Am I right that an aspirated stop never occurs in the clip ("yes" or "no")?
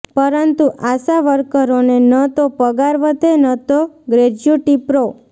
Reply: yes